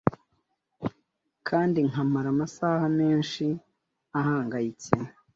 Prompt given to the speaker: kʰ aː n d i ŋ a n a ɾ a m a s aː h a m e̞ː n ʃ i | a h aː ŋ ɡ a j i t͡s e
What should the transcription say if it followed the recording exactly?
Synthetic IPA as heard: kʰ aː n d i ŋ a m a ɾ a m a s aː h a m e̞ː n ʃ i | a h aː ŋ ɡ a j i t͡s e